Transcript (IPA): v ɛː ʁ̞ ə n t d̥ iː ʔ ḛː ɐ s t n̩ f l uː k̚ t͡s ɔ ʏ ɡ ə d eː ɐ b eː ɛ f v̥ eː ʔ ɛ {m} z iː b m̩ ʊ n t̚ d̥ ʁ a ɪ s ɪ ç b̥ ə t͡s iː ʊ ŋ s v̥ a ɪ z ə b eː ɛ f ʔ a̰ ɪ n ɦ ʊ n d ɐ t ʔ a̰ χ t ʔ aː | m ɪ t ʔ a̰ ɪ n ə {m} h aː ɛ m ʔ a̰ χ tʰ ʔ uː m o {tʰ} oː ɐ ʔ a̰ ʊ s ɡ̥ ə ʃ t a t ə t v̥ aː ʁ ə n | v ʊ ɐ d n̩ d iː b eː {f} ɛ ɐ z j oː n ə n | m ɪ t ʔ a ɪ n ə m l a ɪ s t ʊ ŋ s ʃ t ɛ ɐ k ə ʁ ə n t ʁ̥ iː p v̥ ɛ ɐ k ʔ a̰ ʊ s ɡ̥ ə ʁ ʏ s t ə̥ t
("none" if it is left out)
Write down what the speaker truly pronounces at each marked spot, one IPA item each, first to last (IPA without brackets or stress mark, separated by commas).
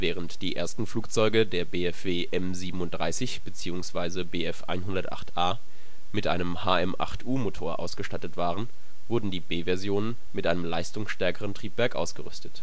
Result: m, m, tʰ, v